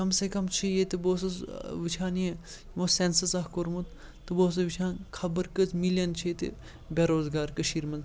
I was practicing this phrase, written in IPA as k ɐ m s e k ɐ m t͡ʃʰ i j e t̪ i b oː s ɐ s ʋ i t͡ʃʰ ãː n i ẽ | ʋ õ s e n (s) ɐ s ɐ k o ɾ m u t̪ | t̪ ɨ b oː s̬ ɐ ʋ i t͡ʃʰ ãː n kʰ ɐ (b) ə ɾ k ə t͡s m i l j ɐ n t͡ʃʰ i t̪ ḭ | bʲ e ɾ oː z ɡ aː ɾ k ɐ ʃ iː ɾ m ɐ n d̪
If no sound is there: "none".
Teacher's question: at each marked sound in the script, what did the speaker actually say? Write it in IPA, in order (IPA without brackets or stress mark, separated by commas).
s, b